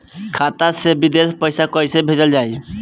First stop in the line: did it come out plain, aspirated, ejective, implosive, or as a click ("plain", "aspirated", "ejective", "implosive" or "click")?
aspirated